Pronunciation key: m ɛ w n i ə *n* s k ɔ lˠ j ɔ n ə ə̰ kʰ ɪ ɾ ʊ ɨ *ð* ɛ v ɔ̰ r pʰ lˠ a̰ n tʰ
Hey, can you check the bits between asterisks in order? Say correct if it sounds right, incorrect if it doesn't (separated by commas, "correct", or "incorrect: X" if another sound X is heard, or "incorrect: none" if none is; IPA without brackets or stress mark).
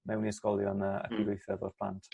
incorrect: none, incorrect: θ